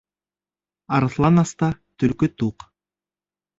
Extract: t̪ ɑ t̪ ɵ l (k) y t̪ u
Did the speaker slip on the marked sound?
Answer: no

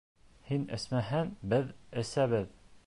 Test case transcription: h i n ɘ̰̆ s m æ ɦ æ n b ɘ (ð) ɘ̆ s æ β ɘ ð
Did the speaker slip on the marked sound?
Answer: no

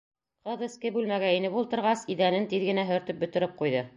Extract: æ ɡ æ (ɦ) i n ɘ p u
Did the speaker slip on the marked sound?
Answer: yes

